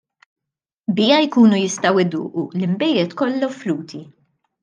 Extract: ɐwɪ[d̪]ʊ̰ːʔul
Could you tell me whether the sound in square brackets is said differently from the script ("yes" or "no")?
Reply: no